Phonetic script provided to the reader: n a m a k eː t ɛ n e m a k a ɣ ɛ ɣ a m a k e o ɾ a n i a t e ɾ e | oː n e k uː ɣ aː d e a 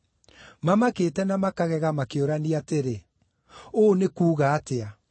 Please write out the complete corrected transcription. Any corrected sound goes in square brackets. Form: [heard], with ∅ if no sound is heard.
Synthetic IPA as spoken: [m] a m a k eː t ɛ n [a] m a k a ɣ ɛ ɣ a m a k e o ɾ a n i a t e ɾ e | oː n e k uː ɣ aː [t] e a